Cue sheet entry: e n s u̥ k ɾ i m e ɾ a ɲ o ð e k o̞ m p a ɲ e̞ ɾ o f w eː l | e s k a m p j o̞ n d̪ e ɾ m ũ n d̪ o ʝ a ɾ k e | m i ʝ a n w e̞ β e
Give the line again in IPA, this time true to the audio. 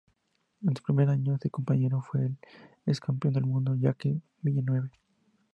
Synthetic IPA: e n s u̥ p ɾ i m e ɾ a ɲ o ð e k o̞ m p a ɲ e̞ ɾ o f w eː l | e s k a m p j o̞ n d̪ e l m ũ n d̪ o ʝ a k e | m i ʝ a n w e̞ β e